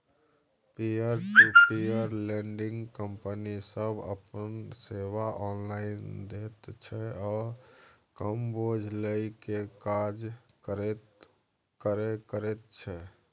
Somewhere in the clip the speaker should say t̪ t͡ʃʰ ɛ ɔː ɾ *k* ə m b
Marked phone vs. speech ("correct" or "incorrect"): correct